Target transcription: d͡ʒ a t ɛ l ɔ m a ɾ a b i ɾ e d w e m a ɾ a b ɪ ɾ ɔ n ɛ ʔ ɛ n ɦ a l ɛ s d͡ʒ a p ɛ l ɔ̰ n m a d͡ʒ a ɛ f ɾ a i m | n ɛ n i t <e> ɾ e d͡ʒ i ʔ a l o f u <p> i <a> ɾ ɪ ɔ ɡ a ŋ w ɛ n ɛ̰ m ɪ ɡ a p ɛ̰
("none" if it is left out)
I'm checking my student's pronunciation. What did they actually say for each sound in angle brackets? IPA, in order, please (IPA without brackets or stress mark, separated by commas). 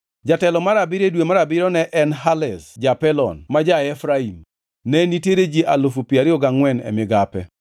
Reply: e, p, a